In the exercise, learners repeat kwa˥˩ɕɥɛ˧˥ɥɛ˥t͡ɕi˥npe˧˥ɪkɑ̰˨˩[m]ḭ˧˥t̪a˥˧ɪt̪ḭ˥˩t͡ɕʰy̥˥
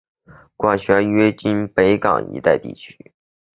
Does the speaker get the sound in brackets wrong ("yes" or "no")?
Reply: yes